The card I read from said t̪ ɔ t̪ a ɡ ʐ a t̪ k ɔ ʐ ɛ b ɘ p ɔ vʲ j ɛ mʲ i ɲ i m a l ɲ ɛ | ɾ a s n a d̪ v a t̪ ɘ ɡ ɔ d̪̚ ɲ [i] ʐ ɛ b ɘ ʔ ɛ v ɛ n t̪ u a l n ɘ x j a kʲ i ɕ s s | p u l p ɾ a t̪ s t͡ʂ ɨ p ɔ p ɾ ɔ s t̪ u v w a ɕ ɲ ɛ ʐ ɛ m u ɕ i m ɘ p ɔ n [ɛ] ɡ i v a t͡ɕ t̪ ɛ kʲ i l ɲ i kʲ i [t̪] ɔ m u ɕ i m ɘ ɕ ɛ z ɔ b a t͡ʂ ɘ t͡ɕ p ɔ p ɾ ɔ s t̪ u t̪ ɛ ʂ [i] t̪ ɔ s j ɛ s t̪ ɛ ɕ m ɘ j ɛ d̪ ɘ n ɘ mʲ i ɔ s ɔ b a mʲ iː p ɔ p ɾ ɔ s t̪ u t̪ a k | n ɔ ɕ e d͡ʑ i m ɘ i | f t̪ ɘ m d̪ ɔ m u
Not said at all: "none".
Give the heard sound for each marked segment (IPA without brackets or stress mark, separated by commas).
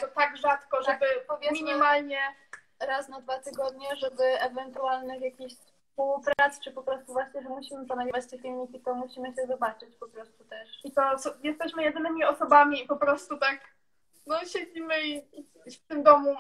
ɛ, a, t̪, i